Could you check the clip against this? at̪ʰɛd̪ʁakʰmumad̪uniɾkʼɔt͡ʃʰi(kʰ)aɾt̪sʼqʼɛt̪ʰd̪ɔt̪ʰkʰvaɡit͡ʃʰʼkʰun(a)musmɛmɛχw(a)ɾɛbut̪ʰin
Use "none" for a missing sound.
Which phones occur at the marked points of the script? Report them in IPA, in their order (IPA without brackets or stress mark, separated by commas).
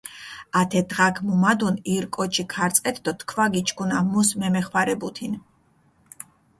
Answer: kʰ, a, a